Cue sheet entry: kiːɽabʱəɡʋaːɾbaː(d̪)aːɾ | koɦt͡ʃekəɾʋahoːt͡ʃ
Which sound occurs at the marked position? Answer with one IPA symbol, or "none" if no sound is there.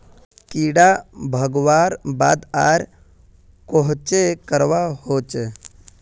d̪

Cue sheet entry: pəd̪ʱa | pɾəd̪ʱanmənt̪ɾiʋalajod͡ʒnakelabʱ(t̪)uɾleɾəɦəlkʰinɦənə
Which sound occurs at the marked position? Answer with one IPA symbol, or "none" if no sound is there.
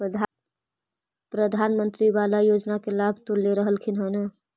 t̪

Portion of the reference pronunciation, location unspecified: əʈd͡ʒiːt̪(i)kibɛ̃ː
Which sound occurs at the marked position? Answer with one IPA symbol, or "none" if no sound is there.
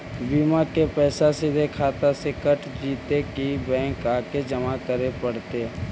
e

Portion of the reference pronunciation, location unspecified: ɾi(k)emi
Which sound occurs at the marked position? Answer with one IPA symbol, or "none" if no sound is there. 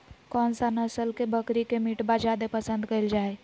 k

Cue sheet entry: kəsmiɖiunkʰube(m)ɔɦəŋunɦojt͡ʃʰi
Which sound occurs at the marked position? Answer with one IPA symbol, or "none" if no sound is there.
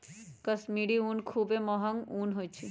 m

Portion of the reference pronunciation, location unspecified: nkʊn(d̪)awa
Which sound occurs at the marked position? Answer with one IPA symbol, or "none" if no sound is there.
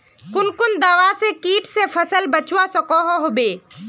d̪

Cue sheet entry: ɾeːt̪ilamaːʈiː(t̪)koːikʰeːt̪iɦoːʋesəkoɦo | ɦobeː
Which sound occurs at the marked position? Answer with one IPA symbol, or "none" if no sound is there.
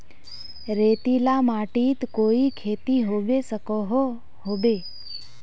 t̪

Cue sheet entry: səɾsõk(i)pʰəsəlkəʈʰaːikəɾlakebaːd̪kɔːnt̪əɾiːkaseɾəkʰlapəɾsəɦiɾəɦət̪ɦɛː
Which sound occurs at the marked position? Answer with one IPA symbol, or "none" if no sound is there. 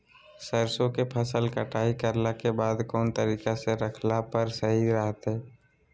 e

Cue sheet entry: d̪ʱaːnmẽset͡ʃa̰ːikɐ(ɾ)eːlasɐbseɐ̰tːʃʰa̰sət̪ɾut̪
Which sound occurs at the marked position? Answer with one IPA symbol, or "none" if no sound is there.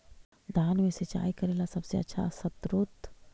ɾ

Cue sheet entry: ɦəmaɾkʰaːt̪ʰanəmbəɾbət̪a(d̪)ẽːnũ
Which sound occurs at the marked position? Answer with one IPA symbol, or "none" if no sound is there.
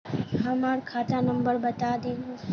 d̪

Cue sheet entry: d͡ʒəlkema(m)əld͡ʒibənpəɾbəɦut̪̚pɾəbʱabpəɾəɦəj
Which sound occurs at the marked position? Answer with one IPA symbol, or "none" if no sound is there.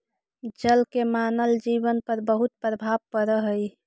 n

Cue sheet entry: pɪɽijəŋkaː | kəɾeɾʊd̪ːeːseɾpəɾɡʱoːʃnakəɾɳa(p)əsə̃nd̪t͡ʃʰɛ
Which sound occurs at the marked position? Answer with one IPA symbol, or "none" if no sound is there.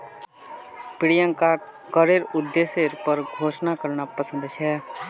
p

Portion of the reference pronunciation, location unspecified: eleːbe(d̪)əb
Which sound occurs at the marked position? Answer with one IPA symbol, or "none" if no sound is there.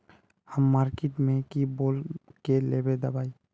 d̪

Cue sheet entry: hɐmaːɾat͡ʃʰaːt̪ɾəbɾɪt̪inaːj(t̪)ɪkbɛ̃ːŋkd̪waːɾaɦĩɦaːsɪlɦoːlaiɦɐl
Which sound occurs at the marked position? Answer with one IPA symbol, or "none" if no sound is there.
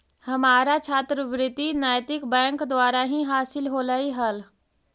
t̪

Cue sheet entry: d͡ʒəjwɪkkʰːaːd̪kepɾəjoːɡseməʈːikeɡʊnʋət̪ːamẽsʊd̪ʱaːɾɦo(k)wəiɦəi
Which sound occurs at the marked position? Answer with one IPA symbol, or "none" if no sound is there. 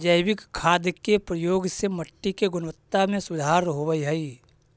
none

